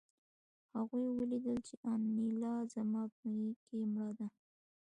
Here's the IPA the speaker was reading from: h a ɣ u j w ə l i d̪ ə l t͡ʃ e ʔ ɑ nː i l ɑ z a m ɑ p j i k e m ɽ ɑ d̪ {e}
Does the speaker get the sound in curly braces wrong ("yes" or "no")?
yes